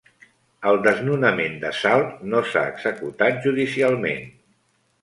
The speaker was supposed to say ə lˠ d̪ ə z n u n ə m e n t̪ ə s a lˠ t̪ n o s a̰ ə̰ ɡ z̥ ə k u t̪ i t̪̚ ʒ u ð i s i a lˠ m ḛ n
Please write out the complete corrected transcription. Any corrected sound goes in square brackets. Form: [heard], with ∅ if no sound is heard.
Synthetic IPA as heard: ə lˠ d̪ ə z n u n ə m e n [d̪] ə s a lˠ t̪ n o s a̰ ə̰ ɡ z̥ ə k u t̪ [a] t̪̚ ʒ u ð i s i a lˠ m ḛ n